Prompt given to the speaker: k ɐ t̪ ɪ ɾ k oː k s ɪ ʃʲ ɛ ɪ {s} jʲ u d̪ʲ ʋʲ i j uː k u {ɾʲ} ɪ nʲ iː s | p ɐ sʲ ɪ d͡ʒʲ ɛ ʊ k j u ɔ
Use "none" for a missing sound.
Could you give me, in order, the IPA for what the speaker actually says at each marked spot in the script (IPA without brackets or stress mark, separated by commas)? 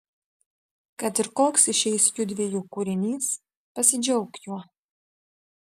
s, ɾʲ